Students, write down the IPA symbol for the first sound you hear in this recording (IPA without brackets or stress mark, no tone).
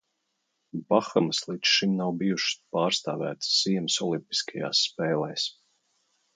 b